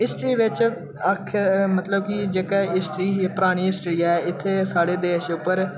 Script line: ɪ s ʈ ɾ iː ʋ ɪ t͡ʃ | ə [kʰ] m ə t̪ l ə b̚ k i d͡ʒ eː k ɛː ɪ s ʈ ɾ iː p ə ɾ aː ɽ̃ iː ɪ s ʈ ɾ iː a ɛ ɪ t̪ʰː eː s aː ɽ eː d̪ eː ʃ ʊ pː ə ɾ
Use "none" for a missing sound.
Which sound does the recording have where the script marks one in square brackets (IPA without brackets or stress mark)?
kʰ